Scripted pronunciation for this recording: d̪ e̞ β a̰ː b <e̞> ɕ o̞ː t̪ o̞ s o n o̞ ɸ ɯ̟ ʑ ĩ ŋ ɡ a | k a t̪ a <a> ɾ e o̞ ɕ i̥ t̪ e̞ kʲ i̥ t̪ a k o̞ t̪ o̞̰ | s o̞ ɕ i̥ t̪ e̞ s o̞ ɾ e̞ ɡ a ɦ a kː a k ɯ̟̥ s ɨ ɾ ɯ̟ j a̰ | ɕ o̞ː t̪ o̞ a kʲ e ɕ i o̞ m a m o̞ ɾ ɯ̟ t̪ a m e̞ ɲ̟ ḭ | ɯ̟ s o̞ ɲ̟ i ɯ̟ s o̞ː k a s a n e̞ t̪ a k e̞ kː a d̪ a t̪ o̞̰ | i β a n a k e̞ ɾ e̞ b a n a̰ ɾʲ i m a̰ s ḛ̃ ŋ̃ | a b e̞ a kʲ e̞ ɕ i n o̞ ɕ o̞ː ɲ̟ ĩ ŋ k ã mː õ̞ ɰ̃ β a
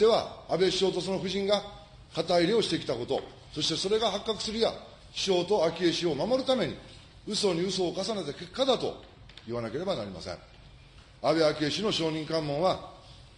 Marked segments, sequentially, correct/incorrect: correct, incorrect: i

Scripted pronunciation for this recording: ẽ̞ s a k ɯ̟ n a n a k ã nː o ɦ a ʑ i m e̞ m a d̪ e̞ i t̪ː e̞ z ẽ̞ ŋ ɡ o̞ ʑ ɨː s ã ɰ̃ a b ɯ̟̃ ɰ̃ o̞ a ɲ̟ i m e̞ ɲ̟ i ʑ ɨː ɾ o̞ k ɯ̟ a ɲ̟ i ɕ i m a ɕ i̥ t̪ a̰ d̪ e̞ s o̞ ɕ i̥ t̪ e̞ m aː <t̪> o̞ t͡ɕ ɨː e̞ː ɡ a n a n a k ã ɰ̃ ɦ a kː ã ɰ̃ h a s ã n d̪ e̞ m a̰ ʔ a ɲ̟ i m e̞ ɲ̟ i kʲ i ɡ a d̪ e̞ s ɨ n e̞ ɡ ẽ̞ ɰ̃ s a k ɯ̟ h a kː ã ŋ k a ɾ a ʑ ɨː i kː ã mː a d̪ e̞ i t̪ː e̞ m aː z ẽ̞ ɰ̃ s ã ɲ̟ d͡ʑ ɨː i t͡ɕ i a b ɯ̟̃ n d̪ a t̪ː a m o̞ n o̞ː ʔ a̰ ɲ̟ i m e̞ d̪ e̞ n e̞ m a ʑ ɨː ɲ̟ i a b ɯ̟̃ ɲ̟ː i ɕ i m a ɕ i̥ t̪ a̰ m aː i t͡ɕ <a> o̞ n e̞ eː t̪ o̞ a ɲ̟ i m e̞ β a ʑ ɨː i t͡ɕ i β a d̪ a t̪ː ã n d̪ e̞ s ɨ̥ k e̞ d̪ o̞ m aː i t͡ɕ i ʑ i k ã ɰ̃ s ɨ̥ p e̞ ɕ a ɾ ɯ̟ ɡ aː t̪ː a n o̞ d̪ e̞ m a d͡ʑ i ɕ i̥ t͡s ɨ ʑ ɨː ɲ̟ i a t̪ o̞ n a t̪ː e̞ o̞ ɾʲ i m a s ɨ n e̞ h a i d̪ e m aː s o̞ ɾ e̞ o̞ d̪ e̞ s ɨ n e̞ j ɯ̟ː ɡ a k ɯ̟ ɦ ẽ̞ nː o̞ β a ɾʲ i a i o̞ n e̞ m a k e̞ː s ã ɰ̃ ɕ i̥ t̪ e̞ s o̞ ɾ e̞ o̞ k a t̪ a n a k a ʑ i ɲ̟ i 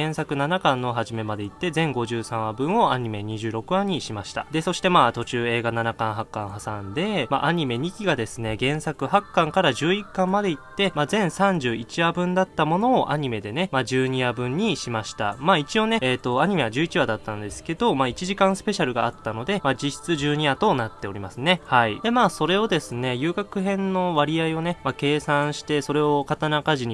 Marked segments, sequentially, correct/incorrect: correct, incorrect: i

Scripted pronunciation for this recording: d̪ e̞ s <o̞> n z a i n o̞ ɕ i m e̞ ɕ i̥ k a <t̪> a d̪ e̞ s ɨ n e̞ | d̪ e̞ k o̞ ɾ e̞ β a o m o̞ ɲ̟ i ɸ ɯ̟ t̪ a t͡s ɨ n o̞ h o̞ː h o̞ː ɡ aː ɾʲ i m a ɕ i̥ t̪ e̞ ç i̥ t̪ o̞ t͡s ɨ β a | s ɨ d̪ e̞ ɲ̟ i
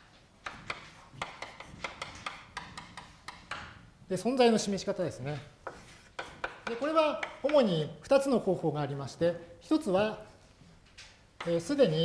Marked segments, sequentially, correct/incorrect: incorrect: õ̞, correct

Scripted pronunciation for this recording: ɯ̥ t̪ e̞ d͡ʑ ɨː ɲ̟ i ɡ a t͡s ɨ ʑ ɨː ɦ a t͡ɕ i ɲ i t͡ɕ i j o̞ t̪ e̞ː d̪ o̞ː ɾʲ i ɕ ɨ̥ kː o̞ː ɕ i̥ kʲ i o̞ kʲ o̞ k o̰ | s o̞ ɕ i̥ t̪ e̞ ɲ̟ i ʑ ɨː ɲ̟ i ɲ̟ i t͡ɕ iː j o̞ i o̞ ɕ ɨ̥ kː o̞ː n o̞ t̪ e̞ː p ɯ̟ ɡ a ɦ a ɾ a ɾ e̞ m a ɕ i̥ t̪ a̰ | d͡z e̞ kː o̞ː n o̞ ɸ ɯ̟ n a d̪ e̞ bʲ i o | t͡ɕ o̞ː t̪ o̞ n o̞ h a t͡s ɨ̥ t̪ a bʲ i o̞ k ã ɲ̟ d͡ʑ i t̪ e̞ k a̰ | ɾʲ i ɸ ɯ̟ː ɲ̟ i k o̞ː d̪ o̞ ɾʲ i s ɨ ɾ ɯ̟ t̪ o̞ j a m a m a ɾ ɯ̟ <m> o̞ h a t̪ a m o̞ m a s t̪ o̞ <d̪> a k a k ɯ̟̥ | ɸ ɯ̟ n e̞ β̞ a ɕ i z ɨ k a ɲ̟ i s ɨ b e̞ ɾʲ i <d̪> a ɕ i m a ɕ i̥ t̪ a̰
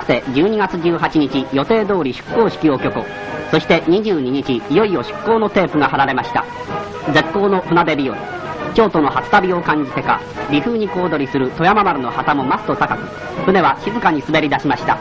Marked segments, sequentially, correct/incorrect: incorrect: n, incorrect: t̪, correct

